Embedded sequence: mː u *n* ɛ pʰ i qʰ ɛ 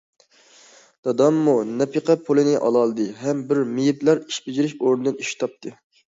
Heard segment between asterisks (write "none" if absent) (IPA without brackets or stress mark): n